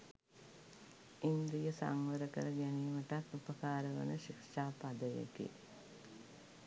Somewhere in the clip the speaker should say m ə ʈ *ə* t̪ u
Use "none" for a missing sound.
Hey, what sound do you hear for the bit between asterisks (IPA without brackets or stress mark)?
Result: a